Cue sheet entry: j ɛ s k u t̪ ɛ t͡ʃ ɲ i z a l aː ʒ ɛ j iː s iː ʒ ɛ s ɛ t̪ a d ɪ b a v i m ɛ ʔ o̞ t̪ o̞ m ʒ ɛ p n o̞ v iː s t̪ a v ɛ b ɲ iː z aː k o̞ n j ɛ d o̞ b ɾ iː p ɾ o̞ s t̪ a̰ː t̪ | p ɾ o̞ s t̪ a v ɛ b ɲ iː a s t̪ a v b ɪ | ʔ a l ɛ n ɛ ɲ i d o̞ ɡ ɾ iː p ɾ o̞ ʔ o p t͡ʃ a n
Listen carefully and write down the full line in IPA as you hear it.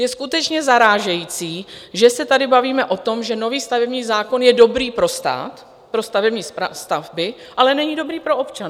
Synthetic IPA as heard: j ɛ s k u t̪ ɛ t͡ʃ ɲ ɛ z a ɾ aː ʒ ɛ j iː t͡s iː ʒ ɛ s ɛ t̪ a d ɪ b a v iː m ɛ ʔ o̞ t̪ o̞ m ʒ ɛ n o̞ v iː s t̪ a v ɛ b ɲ iː z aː k o̞ n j ɛ d o̞ b ɾ iː p ɾ o̞ s t̪ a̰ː t̪ | p ɾ o̞ s t̪ a v ɛ b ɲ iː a s t̪ a v b ɪ | ʔ a l ɛ n ɛ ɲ i d o̞ b ɾ iː p ɾ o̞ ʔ o p t͡ʃ a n